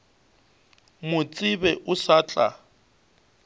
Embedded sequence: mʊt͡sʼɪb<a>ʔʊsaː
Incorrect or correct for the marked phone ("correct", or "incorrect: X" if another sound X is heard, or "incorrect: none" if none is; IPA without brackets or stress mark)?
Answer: incorrect: ɛ